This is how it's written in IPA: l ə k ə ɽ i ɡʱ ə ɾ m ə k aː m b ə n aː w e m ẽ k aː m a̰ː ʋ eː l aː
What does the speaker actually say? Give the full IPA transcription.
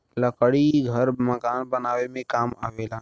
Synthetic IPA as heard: l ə k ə ɽ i ɡʱ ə ɾ m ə k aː n b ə n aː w e m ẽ k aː m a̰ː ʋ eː l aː